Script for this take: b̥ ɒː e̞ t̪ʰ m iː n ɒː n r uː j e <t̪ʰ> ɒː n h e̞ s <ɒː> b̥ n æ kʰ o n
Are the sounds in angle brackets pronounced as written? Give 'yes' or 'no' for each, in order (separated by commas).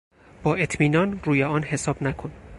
no, yes